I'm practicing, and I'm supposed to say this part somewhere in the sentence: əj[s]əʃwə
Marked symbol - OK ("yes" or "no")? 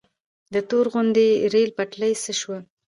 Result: yes